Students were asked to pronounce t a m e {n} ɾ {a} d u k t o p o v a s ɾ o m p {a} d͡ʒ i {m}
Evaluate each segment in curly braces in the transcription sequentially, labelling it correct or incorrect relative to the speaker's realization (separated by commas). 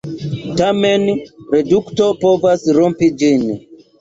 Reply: correct, incorrect, incorrect, incorrect